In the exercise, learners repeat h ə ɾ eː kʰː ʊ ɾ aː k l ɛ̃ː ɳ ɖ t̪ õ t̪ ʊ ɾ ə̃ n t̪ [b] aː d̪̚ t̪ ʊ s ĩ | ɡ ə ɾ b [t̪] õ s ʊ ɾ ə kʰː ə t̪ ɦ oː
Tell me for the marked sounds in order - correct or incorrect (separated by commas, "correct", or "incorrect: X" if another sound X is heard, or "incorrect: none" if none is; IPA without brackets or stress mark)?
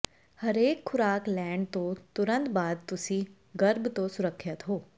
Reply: correct, correct